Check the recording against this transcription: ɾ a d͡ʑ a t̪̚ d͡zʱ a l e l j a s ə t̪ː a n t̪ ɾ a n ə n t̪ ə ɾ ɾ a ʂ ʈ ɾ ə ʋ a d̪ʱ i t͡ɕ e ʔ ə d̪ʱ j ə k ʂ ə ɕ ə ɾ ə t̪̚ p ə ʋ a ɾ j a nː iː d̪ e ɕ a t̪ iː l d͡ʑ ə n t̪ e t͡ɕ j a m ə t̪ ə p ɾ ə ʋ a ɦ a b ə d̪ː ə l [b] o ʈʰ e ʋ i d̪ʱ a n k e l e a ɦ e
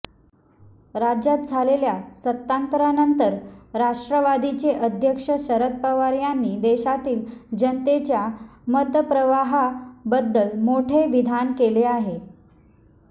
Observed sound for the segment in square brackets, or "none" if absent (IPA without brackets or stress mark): m